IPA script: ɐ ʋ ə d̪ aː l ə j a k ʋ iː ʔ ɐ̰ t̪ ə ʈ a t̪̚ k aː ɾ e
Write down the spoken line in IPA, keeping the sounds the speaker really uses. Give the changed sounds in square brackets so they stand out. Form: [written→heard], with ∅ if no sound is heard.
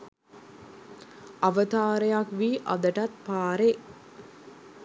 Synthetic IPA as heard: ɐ ʋ ə [d̪→t̪] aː [l→ɾ] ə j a k ʋ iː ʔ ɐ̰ [t̪→d̪] ə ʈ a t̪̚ [k→p] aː ɾ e